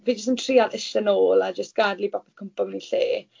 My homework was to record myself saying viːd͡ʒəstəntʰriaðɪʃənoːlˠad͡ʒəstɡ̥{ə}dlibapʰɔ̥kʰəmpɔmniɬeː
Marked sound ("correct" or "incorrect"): incorrect